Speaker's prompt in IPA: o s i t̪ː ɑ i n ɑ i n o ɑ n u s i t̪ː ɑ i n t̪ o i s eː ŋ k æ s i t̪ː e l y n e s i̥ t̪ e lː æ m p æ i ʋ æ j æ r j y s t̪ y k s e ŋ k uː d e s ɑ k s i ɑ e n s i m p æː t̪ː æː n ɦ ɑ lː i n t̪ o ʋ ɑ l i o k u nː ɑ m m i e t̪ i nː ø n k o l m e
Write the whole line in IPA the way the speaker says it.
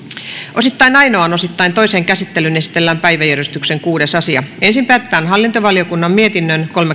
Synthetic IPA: o s i t̪ː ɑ i n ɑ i n o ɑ n o s i t̪ː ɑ i n t̪ o i s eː ŋ k æ s i t̪ː e l y n e s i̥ t̪ e lː æ m p æ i ʋ æ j æ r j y s t̪ y k s e ŋ k uː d e s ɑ s i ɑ e n s i m p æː t̪ː æː n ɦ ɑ lː i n t̪ o ʋ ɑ l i o k u nː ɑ m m i e t̪ i nː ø n k o l m e